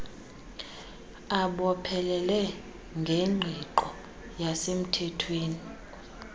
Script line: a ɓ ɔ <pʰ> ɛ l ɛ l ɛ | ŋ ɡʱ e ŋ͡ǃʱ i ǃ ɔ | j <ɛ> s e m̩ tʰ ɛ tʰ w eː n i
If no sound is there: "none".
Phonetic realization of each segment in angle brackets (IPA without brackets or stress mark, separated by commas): pʰ, a